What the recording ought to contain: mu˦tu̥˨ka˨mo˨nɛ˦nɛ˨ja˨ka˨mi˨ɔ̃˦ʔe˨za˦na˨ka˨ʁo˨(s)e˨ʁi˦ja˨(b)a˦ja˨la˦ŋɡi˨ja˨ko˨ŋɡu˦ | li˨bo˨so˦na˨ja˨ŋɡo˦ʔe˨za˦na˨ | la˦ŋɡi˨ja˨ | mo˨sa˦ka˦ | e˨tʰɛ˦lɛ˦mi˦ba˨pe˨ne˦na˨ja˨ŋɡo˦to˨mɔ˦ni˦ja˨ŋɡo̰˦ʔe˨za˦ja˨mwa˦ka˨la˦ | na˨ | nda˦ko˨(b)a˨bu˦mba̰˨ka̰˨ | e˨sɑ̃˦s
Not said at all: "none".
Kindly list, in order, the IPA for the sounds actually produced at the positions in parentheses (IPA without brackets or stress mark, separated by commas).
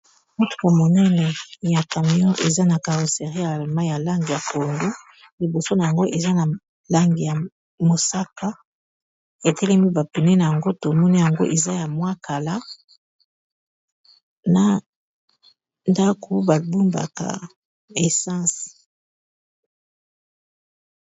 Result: s, m, b